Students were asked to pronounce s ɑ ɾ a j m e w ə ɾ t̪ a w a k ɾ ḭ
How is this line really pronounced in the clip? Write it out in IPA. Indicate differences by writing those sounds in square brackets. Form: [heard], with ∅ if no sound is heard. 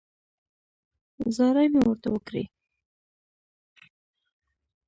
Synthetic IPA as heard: [z] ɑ ɾ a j m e w ə ɾ t̪ a w [ə] k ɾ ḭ